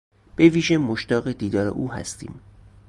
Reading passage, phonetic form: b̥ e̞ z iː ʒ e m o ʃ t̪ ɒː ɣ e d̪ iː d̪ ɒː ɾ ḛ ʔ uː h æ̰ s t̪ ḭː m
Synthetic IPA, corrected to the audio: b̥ e̞ v iː ʒ e m o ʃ t̪ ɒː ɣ e d̪ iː d̪ ɒː ɾ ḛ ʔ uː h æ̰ s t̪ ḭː m

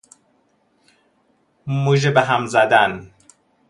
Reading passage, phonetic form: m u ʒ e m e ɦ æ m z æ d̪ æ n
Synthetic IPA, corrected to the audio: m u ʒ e b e ɦ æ m z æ d̪ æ n

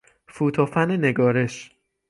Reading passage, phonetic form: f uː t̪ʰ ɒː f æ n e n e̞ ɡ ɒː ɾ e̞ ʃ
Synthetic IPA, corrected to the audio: f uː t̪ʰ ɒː f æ n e n e̞ ɡ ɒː ɾ e̞ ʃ

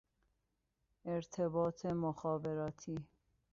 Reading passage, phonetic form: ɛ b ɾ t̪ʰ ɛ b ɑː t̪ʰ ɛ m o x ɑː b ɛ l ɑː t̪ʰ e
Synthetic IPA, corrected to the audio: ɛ ɾ t̪ʰ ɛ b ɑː t̪ʰ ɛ m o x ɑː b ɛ ɾ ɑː t̪ʰ i

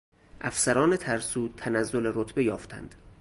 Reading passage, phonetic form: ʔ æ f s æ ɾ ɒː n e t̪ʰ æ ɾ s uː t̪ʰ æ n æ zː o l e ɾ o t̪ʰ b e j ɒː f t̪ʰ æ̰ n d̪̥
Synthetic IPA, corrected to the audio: ʔ æ f s æ ɾ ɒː n e t̪ʰ æ ɾ s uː t̪ʰ æ n æ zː o l e ɾ o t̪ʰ b e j ɒː f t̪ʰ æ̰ n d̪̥

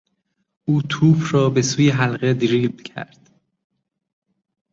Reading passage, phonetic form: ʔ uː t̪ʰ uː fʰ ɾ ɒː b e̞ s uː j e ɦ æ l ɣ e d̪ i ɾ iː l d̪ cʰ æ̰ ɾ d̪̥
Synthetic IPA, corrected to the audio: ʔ uː t̪ʰ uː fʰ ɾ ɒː b e̞ s uː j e ɦ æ l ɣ e d̪ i ɾ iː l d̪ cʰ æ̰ ɾ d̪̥

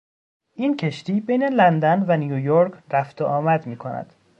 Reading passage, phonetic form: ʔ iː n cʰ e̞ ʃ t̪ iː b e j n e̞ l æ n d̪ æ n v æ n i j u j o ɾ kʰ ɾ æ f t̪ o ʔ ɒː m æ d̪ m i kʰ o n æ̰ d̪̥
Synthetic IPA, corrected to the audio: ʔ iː n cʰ e̞ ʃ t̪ iː b e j n e̞ l æ n d̪ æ n v æ n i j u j o ɾ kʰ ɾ æ f t̪ o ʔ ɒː m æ d̪ m iː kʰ o n æ̰ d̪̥

